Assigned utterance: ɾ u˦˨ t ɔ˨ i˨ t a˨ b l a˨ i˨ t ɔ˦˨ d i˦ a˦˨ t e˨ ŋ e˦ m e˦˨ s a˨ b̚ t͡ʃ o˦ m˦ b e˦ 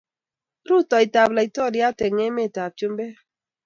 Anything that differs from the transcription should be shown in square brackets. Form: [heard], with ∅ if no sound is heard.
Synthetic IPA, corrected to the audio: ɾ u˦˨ t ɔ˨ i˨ t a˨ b l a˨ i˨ t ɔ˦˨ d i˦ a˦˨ t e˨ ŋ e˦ m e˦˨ [t] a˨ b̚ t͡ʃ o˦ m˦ b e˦